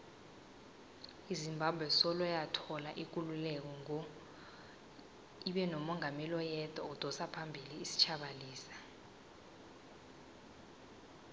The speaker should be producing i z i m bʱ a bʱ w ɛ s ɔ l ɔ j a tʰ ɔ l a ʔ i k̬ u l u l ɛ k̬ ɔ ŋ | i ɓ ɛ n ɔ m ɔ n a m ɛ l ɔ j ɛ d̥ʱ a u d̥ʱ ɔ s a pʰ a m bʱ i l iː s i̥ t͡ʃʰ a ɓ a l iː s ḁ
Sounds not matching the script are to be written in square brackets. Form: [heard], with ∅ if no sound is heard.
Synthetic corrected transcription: i z i m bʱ a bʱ w ɛ s ɔ l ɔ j a tʰ ɔ l a ʔ i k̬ u l u l ɛ k̬ ɔ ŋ | i ɓ ɛ n ɔ m ɔ [ŋ] a m ɛ l ɔ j ɛ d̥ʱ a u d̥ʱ ɔ s a pʰ a m bʱ i l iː s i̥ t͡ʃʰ a ɓ a l iː s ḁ